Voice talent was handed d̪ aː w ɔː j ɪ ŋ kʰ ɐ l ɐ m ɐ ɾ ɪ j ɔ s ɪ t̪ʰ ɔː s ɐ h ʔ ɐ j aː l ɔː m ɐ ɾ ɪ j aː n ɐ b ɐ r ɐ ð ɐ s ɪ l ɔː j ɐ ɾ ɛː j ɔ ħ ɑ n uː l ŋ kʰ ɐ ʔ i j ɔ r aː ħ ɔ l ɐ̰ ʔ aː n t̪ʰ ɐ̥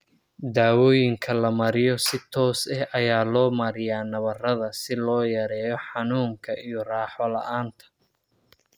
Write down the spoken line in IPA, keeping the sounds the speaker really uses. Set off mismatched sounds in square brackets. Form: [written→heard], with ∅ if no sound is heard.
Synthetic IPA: d̪ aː w ɔː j ɪ ŋ kʰ ɐ l ɐ m ɐ ɾ ɪ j ɔ s ɪ t̪ʰ ɔː s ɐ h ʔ ɐ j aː l ɔː m ɐ ɾ ɪ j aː n ɐ [b→β] ɐ r ɐ ð ɐ s ɪ l ɔː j ɐ ɾ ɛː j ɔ ħ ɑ n uː [l→∅] ŋ kʰ ɐ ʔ i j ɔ r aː ħ ɔ l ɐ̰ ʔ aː n t̪ʰ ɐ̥